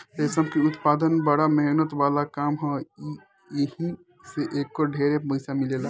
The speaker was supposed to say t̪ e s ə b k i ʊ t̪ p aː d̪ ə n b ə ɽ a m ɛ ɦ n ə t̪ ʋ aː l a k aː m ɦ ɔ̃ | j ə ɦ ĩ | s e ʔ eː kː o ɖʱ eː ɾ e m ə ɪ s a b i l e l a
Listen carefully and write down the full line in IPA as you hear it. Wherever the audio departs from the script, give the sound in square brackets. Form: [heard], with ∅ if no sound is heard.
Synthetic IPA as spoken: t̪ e s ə b k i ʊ t̪ p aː d̪ ə n b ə ɽ a m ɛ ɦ n ə t̪ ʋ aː l a k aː m ɦ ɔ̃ | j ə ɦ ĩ | s e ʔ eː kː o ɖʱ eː ɾ e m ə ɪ s a [m] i l e l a

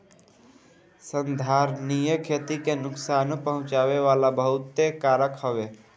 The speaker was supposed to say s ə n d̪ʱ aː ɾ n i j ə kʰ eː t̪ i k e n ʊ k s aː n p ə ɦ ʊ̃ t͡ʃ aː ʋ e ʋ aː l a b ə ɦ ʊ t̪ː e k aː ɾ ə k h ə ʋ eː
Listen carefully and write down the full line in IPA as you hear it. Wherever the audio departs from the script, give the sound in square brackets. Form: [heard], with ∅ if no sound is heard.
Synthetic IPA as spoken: s ə n d̪ʱ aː ɾ n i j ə kʰ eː t̪ i k e n ʊ k s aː n p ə ɦ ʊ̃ t͡ʃ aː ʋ e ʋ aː l a b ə ɦ ʊ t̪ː e k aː ɾ ə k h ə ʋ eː

